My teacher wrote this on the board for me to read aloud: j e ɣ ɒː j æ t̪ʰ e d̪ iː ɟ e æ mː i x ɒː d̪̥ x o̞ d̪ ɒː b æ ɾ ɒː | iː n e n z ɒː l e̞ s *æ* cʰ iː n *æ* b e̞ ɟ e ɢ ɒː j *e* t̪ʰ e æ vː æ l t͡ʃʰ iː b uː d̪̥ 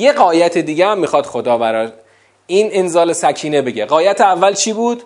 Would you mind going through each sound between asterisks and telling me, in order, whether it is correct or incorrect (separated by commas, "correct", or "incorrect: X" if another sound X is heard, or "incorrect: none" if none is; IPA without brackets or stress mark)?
correct, incorrect: e, incorrect: æ